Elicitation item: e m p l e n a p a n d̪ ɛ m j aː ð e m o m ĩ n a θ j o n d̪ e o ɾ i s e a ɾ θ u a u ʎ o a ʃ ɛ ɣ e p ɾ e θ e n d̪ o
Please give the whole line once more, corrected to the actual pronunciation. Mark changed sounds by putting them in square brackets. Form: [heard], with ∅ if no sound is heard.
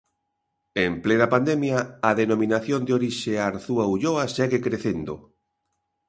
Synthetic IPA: e m p l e n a p a n d̪ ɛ m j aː ð e [n] o m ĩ n a θ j o n d̪ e o ɾ i [ʃ] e a ɾ θ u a u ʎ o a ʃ ɛ ɣ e [k] ɾ e θ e n d̪ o